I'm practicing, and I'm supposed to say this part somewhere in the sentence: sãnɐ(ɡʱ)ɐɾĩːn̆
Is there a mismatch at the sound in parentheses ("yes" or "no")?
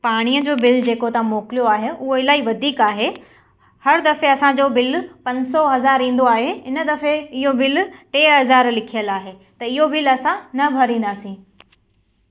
yes